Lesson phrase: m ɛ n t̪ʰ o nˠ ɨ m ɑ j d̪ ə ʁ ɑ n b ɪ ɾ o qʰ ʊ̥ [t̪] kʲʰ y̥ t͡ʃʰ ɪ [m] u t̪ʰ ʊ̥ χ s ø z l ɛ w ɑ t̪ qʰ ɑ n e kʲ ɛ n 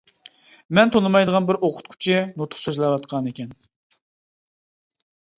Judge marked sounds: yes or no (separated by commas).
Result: yes, no